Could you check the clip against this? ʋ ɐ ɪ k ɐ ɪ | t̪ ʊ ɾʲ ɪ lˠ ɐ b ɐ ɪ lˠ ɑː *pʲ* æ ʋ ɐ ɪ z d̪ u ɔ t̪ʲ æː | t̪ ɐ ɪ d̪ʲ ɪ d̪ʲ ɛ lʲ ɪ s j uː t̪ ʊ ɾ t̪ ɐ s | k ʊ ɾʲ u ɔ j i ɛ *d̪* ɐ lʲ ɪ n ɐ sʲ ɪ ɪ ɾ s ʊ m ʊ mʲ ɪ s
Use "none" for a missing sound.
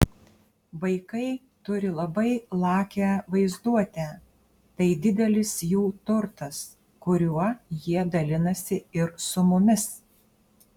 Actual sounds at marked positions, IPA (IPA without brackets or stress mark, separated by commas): kʲ, d̪